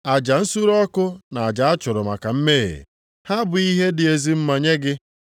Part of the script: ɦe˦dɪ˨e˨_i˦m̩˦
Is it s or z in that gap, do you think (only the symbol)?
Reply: z